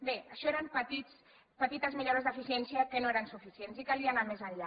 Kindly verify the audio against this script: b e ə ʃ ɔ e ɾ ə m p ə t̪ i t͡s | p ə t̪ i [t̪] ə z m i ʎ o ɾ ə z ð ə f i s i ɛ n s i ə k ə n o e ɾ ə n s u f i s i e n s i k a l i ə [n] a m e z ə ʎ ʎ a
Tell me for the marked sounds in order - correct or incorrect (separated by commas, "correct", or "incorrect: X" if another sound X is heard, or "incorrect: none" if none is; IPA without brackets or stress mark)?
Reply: correct, correct